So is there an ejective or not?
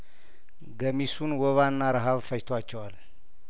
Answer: no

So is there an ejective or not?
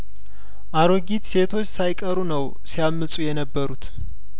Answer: yes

